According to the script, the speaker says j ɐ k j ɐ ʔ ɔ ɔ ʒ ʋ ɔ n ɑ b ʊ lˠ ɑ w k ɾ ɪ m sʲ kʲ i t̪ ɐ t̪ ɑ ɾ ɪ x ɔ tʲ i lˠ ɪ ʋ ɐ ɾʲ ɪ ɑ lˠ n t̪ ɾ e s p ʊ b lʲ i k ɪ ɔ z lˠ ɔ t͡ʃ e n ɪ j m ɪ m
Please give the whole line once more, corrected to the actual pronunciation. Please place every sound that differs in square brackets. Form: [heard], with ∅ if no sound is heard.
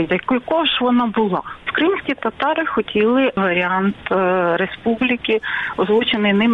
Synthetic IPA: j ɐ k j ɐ [k] ɔ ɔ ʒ ʋ ɔ n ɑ b ʊ lˠ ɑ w k ɾ ɪ m sʲ kʲ i t̪ ɐ t̪ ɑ ɾ ɪ x ɔ tʲ i lˠ ɪ ʋ ɐ ɾʲ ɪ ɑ [∅] n t̪ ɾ e s p [u] b lʲ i k ɪ ɔ z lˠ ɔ t͡ʃ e n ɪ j [n] ɪ m